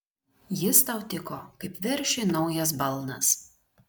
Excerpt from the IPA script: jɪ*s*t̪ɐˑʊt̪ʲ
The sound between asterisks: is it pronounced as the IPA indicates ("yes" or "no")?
yes